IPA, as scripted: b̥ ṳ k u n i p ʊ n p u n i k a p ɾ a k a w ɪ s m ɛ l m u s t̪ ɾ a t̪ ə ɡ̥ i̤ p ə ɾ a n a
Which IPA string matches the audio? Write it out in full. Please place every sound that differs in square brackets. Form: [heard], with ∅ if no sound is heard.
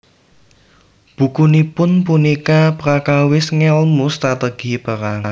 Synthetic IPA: b̥ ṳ k u n i p ʊ n p u n i k a p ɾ a k a w ɪ s [ŋ] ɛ l m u s t̪ ɾ a t̪ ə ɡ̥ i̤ p ə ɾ a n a